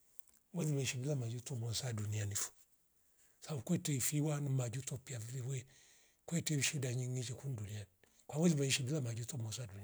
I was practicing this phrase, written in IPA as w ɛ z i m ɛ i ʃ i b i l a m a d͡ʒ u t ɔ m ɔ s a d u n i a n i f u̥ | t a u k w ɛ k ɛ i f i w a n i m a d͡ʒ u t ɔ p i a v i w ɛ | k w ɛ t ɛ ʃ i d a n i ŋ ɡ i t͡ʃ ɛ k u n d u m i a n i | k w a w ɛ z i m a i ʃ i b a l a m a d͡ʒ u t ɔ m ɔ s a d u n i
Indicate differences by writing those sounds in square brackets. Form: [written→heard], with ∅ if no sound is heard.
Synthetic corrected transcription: w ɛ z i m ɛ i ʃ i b i l a m a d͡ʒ u t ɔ m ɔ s a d u n i a n i f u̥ | [t→s] a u k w ɛ [k→t] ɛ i f i w a n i m a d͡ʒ u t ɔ p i a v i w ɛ | k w ɛ t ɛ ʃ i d a [n→ɲ] i ŋ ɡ i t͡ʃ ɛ k u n d u [m→n] i a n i | k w a w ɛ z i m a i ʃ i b [a→i] l a m a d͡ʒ u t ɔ m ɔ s a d u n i